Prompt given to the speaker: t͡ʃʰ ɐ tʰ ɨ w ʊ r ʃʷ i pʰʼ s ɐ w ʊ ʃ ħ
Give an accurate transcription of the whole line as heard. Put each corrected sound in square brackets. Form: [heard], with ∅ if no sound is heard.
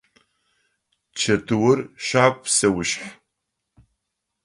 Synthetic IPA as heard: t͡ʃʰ ɐ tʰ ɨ w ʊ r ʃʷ [a] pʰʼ s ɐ w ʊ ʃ ħ